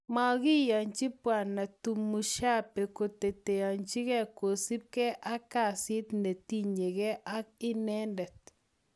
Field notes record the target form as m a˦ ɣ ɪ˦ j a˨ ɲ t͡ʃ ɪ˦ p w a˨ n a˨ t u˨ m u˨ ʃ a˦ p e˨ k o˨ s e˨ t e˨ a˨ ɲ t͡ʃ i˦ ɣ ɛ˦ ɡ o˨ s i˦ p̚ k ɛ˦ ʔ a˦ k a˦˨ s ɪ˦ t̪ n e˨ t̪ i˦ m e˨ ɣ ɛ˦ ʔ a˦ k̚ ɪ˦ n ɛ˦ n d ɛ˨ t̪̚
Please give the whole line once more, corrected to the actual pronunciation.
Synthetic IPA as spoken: m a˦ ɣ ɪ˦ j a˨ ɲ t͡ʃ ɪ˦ p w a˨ n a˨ t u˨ m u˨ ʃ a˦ p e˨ k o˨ t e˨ t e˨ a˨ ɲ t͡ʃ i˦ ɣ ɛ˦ k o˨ s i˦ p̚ k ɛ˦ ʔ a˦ k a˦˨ s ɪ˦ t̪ n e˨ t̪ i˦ ɲ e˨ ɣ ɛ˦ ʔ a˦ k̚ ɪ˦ n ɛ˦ n d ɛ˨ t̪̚